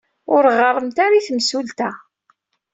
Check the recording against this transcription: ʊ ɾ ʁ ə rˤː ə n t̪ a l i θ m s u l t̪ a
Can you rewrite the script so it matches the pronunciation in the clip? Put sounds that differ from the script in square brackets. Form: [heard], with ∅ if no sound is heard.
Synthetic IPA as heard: ʊ ɾ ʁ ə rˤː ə [m] t̪ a [ɾ] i θ m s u l t̪ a